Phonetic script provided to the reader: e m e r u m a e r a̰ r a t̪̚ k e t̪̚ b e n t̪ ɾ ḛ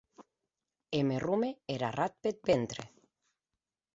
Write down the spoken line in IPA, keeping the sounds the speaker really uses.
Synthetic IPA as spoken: e m e r u m e e ɾ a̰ r a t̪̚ p e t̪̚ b e n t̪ ɾ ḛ